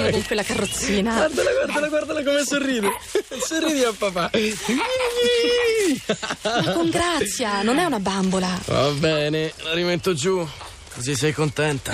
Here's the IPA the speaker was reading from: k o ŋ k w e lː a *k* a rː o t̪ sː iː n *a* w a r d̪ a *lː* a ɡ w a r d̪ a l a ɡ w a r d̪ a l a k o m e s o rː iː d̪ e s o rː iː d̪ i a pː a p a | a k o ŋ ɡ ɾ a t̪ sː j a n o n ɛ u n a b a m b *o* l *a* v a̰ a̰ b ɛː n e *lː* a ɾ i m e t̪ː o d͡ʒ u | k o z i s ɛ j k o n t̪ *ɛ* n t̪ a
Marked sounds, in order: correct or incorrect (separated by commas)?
correct, correct, incorrect, correct, correct, incorrect, correct